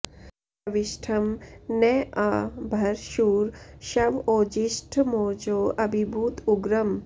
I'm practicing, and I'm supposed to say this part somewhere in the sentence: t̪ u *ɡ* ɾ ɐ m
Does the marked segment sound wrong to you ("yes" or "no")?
no